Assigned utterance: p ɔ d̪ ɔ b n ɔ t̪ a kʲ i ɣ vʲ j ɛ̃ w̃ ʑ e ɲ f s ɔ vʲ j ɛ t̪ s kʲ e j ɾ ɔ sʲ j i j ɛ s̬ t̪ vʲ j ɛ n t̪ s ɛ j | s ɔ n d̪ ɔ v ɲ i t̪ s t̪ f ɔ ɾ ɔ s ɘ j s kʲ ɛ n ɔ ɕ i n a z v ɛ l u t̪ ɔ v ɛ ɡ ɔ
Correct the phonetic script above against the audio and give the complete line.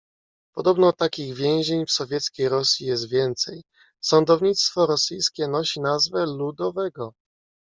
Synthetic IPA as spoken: p ɔ d̪ ɔ b n ɔ t̪ a kʲ i ɣ vʲ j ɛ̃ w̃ ʑ e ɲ f s ɔ vʲ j ɛ t̪ s kʲ e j ɾ ɔ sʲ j i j ɛ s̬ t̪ vʲ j ɛ n t̪ s ɛ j | s ɔ n d̪ ɔ v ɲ i t̪ s t̪ f ɔ ɾ ɔ s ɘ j s kʲ ɛ n ɔ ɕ i n a z v ɛ l u d̪ ɔ v ɛ ɡ ɔ